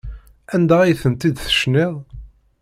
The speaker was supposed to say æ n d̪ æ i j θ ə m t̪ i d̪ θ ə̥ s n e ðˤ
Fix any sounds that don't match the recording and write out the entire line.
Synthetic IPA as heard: æ n d̪ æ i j θ ə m t̪ i d̪ θ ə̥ ʃ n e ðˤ